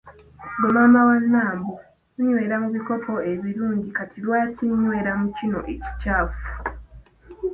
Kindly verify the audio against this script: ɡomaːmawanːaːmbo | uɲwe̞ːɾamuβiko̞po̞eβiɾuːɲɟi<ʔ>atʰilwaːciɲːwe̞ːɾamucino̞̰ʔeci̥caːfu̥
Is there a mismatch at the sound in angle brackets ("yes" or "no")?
yes